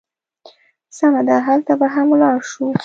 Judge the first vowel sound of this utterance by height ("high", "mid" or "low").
low